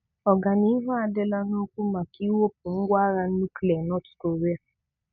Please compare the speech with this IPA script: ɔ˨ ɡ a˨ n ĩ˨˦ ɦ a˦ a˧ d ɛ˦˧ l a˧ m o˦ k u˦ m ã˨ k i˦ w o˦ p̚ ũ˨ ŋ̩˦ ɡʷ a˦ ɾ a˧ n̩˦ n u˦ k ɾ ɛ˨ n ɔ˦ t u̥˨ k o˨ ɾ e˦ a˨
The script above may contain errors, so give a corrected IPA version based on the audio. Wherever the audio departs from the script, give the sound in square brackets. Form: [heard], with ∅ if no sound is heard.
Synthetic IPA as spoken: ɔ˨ ɡ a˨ n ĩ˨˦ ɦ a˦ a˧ d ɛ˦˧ l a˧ [n] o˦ k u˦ m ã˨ k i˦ w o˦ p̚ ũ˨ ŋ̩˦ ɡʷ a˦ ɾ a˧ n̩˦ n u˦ k [l] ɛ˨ n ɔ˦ t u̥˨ k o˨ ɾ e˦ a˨